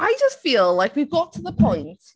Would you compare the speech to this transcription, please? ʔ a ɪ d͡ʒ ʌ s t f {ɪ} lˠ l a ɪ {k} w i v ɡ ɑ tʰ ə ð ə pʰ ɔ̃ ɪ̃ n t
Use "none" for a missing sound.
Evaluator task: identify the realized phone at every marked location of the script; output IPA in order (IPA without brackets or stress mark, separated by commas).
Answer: i, k